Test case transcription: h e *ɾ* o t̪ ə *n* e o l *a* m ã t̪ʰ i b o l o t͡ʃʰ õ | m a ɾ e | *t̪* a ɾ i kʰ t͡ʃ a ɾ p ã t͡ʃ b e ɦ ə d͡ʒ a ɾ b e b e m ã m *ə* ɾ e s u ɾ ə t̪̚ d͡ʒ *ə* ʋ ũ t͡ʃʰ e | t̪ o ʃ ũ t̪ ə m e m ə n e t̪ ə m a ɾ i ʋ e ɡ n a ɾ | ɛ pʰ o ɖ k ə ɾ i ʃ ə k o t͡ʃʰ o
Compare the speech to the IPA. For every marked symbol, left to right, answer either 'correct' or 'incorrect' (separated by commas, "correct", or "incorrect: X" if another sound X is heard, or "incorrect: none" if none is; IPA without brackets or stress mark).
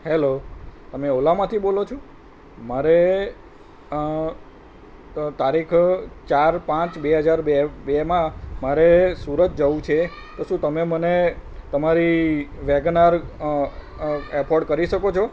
incorrect: l, incorrect: m, correct, correct, incorrect: a, correct